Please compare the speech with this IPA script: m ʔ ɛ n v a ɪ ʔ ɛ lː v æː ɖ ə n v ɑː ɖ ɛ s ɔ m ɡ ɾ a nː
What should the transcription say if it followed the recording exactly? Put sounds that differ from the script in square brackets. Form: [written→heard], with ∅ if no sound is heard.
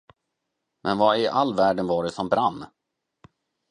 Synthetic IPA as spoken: m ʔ ɛ n v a ɪ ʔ [ɛ→a] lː v æː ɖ ə n v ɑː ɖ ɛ s ɔ m [ɡ→b] ɾ a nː